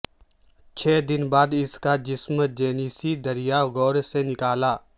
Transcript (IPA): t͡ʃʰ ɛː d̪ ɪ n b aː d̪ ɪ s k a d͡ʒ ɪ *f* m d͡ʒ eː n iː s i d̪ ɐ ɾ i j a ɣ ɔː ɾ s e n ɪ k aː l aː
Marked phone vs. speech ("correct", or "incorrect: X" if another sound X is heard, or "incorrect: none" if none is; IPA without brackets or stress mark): incorrect: s